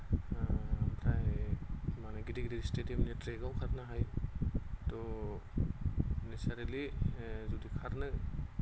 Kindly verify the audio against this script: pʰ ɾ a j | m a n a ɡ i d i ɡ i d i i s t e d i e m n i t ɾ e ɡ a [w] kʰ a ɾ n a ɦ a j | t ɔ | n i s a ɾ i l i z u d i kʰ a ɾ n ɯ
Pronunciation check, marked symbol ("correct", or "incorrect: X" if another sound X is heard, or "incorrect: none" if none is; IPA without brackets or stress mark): correct